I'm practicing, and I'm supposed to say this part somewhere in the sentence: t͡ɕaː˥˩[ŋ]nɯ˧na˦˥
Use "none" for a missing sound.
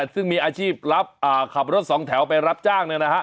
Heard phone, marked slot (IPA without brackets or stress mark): ŋ